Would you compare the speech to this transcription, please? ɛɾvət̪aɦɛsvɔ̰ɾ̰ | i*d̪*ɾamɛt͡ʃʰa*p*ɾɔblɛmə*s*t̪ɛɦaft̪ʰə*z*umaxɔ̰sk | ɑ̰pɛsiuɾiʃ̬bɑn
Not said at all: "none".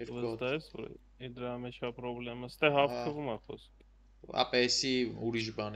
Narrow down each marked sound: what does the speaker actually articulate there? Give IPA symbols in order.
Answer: d̪, p, s, v

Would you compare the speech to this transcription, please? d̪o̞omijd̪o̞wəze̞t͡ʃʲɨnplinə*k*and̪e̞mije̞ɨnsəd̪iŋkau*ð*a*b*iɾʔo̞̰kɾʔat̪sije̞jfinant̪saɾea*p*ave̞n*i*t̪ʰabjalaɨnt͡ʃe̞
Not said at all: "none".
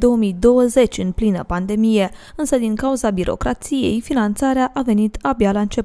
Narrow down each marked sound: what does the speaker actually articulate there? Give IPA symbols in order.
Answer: p, z, b, ʔ, i

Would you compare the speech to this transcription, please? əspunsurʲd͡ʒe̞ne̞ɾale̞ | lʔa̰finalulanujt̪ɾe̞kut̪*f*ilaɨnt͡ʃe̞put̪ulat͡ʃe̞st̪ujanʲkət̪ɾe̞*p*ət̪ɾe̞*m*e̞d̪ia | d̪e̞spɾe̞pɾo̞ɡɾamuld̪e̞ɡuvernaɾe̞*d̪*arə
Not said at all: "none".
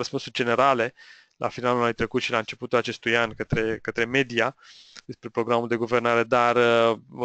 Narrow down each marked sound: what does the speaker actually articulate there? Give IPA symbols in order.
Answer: ʃ, k, m, d̪

